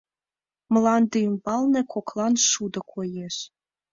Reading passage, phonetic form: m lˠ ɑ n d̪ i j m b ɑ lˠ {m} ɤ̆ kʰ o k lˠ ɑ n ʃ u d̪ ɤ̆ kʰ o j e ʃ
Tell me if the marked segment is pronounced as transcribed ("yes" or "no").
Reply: no